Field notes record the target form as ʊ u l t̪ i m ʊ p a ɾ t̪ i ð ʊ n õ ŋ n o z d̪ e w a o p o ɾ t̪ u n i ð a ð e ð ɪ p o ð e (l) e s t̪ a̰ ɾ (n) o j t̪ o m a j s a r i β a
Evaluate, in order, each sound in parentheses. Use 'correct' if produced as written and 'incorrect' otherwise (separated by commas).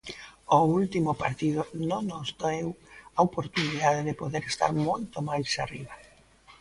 incorrect, incorrect